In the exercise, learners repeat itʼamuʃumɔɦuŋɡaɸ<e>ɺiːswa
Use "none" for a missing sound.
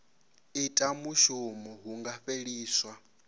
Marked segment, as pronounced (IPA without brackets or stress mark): e